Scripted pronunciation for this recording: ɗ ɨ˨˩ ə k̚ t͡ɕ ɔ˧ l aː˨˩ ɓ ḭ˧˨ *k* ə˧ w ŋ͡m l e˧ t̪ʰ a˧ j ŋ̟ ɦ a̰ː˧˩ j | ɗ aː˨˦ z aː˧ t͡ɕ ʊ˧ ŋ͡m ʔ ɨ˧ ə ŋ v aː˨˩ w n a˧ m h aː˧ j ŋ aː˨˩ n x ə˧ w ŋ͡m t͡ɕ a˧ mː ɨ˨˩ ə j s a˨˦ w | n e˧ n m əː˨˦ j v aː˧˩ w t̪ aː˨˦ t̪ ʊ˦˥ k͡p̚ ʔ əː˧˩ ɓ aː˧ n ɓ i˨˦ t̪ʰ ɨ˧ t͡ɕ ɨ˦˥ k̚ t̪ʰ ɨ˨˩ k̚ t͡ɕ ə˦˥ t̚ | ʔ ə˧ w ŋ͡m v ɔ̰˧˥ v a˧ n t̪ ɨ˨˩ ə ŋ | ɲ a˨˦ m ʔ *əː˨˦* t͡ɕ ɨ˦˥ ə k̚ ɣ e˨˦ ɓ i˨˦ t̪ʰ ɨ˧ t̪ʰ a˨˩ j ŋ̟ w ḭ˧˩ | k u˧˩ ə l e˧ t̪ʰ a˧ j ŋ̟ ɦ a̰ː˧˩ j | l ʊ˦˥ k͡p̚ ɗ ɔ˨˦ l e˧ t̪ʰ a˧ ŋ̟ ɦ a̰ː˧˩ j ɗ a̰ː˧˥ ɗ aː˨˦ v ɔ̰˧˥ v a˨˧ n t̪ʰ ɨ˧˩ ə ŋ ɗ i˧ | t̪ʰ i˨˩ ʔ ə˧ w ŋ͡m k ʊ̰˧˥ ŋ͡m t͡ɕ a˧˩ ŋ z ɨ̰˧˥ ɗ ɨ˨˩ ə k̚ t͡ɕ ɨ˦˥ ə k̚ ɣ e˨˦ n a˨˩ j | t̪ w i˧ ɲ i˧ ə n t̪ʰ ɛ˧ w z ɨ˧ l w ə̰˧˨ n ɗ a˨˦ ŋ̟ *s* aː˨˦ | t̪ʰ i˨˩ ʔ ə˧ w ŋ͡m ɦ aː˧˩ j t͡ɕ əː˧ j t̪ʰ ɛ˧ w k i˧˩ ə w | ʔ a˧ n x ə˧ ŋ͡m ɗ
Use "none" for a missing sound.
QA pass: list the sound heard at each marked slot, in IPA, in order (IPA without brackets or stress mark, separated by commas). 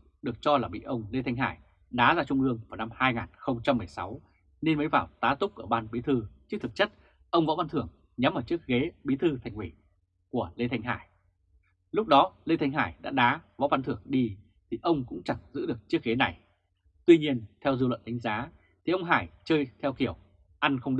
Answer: ʔ, əː˧˩, z